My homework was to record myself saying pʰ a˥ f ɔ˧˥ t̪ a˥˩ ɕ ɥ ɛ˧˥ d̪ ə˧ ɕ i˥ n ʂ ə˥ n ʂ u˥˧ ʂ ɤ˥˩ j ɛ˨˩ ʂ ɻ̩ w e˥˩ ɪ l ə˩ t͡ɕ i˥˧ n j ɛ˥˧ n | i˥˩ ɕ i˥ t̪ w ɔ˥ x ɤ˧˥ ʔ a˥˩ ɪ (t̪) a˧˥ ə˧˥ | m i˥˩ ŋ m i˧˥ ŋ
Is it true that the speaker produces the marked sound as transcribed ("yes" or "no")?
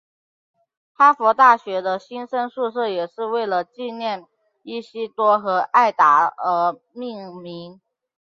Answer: yes